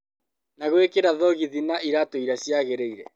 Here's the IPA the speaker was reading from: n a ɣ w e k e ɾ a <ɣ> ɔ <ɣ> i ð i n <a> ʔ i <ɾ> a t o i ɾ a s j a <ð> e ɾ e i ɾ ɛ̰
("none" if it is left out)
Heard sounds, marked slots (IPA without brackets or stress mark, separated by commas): ð, ɣ, a, ɾ, ɣ